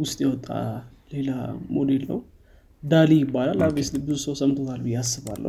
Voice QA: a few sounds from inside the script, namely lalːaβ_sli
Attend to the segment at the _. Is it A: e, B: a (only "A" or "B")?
A